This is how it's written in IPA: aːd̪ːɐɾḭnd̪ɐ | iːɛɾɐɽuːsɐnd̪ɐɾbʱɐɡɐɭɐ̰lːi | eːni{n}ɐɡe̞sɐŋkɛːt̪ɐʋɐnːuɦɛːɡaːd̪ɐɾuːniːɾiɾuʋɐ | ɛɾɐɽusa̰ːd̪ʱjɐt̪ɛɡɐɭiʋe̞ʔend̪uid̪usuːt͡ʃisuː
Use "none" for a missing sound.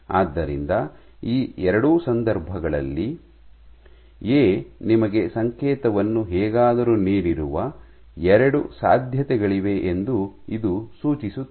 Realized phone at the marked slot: m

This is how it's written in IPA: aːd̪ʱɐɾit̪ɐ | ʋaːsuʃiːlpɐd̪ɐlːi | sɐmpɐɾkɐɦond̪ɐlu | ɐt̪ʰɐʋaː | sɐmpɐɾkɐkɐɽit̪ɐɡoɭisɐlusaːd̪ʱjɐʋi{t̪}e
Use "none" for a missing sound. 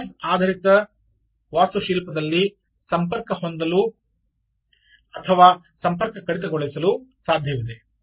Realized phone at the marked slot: d̪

